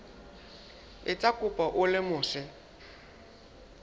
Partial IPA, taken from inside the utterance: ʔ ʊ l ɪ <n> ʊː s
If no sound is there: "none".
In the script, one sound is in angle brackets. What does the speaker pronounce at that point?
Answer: m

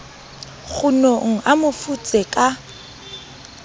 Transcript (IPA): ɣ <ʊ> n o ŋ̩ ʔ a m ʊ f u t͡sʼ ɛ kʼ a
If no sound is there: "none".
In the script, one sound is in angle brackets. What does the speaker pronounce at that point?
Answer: ʊ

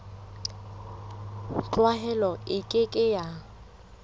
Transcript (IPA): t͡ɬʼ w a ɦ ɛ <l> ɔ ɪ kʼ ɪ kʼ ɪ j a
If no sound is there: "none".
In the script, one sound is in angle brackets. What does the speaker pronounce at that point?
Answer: l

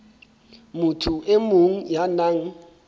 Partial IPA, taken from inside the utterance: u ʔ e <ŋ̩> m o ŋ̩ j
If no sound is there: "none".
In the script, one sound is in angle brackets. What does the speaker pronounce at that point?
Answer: none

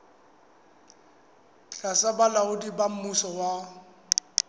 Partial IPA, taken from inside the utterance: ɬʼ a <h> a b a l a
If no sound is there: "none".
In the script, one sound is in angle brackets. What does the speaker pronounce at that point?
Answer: s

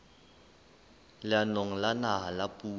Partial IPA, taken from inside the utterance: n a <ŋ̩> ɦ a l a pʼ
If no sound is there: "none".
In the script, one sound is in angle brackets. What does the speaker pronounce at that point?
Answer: none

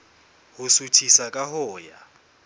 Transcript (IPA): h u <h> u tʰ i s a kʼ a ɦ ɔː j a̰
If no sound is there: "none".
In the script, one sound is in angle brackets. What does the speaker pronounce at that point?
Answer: s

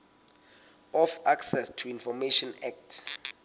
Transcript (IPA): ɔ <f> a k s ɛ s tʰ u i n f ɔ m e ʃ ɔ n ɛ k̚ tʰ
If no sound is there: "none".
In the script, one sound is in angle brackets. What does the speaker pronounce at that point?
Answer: f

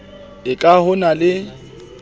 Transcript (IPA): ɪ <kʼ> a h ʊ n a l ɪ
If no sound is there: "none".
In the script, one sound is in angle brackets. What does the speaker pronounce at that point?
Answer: kʼ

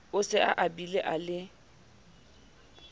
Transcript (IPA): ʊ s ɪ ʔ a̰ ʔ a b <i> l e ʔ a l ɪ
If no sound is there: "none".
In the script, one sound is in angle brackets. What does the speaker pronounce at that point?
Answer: i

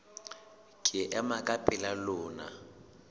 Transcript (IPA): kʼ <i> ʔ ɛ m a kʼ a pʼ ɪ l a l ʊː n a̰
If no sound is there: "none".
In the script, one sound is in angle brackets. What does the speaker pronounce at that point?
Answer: ɪ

